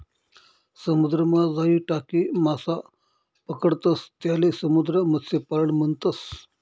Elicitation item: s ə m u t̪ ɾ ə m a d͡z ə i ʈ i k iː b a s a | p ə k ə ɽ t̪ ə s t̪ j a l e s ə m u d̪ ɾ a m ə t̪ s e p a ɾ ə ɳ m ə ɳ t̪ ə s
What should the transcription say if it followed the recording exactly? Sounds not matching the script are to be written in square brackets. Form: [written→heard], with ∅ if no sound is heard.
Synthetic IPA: s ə m u [t̪→d̪] ɾ ə m a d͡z [ə→a] i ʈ [i→a] k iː [b→m] a s a | p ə k ə ɽ t̪ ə s t̪ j a l e s ə m u d̪ ɾ [a→ə] m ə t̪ s e p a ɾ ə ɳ m ə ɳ t̪ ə s

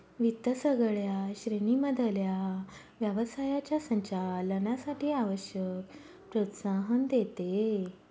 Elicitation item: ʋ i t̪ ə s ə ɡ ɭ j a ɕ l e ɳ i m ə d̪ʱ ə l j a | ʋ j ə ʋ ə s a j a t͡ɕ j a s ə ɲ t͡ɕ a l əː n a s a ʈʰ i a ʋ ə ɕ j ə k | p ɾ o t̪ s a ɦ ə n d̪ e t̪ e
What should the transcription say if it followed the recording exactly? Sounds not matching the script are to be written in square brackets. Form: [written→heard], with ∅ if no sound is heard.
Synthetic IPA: ʋ i t̪ ə s ə ɡ ɭ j a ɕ [l→ɾ] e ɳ i m ə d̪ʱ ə l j a | ʋ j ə ʋ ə s a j a t͡ɕ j a s ə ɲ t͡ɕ a l [əː→ə] n a s a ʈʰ [i→iː] a ʋ ə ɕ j ə k | p ɾ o t̪ s a ɦ ə n d̪ e t̪ e

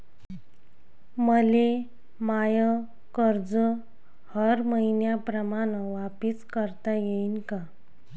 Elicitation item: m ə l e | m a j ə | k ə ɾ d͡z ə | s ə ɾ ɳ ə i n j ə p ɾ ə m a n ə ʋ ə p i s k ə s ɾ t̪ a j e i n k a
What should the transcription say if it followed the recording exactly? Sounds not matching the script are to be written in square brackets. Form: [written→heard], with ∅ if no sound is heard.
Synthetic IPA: m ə l e | m a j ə | k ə ɾ d͡z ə | [s→h] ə ɾ [ɳ→m] ə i n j [ə→a] p ɾ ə m a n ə ʋ [ə→a] p i s k ə [s→∅] ɾ t̪ a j e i n k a

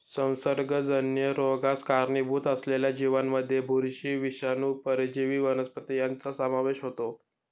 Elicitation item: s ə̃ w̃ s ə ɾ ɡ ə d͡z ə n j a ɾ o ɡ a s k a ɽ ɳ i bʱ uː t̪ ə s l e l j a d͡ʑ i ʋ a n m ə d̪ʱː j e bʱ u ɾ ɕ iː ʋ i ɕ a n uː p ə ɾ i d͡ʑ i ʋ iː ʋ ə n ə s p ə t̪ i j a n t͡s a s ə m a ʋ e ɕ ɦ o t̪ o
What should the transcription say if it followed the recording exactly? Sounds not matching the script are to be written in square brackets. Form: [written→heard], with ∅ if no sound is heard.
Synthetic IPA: s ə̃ w̃ s ə ɾ ɡ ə d͡z ə n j [a→ə] ɾ o ɡ a s k a [ɽ→ɾ] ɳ i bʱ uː t̪ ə s l e l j a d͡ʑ i ʋ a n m ə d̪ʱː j e bʱ u ɾ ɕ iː ʋ i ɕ a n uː p ə ɾ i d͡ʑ i ʋ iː ʋ ə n ə s p ə t̪ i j a n t͡s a s ə m a ʋ e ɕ ɦ o t̪ o

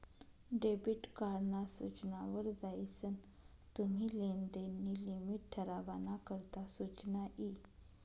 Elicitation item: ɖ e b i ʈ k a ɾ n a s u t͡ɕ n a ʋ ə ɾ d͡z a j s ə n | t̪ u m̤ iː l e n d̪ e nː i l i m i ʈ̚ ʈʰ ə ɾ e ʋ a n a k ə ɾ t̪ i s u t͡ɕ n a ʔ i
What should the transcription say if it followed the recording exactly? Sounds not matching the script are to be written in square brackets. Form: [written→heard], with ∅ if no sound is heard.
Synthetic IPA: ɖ e b i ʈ k a ɾ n a s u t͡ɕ n a ʋ ə ɾ d͡z a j s ə n | t̪ u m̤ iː l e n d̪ e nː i l i m i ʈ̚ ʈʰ ə ɾ [e→a] ʋ a n a k ə ɾ t̪ [i→a] s u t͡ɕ n a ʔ i

